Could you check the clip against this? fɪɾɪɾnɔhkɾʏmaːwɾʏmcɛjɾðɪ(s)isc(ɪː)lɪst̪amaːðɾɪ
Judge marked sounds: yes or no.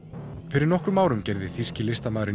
no, no

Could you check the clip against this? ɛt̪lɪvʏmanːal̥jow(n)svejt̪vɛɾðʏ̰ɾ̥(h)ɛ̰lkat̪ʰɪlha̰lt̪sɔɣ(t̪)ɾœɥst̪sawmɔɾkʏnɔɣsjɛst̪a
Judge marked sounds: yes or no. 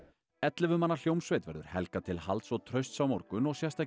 no, yes, no

